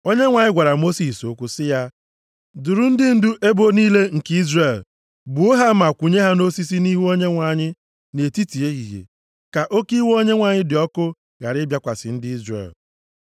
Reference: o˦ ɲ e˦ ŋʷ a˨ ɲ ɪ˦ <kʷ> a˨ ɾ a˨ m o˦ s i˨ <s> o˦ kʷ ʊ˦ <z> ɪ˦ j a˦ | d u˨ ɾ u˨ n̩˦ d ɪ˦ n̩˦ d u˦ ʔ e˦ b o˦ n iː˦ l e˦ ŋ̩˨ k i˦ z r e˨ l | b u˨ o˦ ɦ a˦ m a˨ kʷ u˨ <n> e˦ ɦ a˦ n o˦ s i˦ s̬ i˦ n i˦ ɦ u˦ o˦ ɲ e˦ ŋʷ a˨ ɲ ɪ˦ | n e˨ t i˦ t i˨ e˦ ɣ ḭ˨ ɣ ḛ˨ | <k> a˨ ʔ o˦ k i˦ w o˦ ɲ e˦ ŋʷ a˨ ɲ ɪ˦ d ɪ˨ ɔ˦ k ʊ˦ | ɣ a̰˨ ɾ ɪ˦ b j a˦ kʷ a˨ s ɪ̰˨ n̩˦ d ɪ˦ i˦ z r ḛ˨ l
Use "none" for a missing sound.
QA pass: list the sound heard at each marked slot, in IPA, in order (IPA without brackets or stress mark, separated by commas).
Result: ɡʷ, s, s, ɲ, k